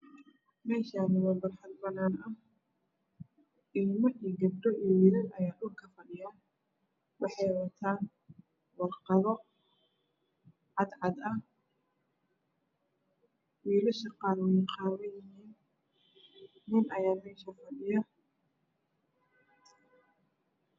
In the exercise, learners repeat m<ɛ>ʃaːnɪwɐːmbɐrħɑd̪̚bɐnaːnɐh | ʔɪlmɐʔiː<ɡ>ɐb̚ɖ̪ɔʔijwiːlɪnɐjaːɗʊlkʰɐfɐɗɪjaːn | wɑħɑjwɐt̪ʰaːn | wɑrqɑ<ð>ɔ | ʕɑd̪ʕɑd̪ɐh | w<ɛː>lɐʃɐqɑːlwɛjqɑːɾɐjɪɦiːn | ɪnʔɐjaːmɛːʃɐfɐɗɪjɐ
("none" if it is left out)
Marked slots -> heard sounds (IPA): ɛː, ɡ, ð, iː

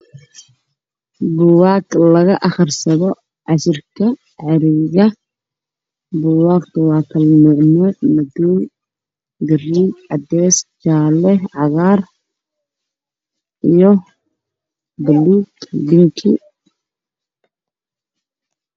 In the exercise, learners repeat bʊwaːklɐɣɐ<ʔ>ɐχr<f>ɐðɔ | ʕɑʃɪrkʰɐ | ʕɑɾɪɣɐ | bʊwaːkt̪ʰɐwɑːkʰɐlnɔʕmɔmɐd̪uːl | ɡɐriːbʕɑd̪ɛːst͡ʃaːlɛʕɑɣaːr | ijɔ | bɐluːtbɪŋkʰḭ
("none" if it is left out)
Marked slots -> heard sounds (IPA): ʔ, s

